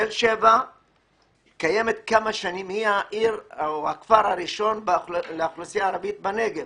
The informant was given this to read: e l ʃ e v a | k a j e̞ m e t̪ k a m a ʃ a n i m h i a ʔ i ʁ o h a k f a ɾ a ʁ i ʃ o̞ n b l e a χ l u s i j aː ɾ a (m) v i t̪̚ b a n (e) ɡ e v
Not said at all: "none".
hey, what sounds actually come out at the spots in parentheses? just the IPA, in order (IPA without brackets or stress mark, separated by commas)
none, e